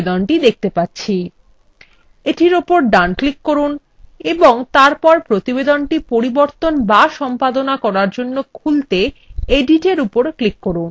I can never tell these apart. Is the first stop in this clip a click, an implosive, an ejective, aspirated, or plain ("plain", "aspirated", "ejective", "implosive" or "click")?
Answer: plain